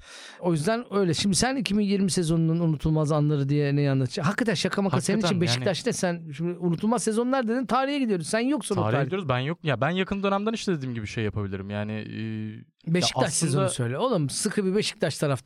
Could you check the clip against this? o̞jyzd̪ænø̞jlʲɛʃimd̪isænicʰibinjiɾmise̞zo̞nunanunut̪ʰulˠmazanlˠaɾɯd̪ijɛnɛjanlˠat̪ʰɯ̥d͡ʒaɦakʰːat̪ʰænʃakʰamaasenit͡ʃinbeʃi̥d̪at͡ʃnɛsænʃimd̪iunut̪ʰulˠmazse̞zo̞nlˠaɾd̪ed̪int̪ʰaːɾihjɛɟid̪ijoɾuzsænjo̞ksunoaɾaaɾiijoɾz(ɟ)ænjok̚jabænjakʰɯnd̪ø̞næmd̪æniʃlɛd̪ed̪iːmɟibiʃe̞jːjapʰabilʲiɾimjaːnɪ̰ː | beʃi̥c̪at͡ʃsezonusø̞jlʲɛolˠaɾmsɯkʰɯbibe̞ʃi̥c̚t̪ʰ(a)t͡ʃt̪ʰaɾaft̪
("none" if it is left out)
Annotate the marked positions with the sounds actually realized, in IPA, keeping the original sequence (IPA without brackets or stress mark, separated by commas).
b, a